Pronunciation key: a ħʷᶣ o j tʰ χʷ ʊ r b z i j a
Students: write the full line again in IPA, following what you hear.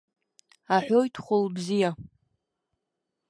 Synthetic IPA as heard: a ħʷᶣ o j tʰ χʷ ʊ l b z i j a